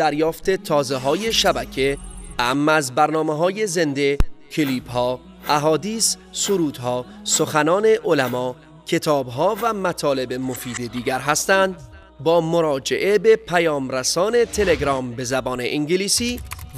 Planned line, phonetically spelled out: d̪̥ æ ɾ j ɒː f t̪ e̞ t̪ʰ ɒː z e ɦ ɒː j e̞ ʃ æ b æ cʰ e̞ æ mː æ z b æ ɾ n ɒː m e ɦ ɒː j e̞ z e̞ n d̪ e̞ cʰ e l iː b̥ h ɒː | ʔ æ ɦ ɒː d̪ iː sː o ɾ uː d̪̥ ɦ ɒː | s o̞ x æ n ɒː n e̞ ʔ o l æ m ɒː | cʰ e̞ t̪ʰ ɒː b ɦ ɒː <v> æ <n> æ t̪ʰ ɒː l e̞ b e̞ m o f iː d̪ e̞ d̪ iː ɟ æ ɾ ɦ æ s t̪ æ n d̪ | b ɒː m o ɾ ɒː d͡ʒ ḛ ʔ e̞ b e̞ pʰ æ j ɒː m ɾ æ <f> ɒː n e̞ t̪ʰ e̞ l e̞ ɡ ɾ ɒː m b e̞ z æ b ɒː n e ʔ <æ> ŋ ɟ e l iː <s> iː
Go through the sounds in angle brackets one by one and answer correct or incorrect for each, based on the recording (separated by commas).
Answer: correct, incorrect, incorrect, incorrect, correct